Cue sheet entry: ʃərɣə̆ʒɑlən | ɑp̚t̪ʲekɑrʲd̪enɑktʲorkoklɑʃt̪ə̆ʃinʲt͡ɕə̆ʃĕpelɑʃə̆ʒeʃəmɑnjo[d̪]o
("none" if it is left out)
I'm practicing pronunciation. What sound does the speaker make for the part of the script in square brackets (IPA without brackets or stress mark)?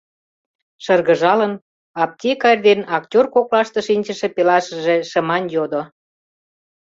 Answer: d̪